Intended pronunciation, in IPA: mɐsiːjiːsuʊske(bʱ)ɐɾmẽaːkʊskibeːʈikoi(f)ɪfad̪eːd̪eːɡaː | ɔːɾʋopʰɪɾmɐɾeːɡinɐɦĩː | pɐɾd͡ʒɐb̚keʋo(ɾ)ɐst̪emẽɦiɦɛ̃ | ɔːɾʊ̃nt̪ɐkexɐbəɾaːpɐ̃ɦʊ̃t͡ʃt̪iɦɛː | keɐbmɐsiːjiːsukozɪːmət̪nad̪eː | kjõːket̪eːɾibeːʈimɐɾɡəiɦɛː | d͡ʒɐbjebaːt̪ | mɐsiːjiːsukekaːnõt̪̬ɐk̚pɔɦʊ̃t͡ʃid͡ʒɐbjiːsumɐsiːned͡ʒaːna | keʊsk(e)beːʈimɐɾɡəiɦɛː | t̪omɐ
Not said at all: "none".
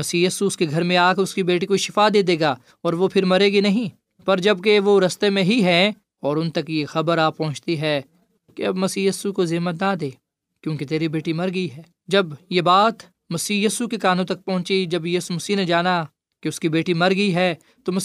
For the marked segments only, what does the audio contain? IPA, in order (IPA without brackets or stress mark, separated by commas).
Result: ɡʱ, ʃ, ɾ, i